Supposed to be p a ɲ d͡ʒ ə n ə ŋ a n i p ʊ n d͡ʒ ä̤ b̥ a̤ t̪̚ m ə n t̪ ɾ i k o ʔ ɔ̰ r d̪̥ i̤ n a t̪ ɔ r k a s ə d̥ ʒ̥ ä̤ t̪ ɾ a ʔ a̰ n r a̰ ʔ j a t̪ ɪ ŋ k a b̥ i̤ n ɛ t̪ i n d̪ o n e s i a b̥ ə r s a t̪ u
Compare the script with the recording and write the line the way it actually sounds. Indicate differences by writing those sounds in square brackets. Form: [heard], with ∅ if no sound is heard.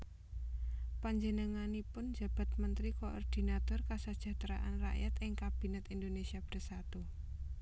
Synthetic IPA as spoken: p a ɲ d͡ʒ ə n ə ŋ a n i p ʊ n d͡ʒ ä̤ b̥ a̤ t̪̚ m ə n t̪ ɾ i k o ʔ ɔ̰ r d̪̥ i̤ n a t̪ ɔ r k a s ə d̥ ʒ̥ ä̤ t̪ ɾ a ʔ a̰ n r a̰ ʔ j a t̪ ɪ ŋ k a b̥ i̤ n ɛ t̪ i n d̪ o n e s i a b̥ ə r s a t̪ u